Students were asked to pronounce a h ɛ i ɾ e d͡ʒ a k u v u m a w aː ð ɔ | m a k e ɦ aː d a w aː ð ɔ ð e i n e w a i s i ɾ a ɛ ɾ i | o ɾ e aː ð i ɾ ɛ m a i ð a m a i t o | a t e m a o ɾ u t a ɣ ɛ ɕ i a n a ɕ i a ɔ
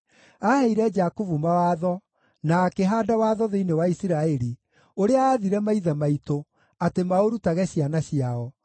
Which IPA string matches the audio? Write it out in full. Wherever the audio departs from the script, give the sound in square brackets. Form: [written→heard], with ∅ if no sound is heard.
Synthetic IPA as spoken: a h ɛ i ɾ [e→ɛ] d͡ʒ a k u v u m a w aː ð ɔ | [m→n] a k e ɦ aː d a w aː ð ɔ ð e i n e w a i s i ɾ a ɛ ɾ i | o ɾ e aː ð i ɾ ɛ m a i ð a m a i t o | a t e m a o ɾ u t a ɣ ɛ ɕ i a n a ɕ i a ɔ